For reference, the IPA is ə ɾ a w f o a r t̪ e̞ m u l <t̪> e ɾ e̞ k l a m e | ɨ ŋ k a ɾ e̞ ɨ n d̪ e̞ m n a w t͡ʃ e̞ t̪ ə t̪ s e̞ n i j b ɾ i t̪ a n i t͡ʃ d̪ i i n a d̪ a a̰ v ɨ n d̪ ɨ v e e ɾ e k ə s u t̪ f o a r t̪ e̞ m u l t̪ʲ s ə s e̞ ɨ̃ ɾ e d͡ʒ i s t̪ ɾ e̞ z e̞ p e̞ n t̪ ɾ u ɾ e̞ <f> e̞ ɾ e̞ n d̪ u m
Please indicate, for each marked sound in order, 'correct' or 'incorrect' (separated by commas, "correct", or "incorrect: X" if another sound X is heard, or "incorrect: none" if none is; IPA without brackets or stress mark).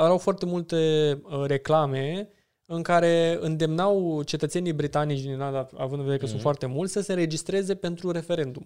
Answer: correct, correct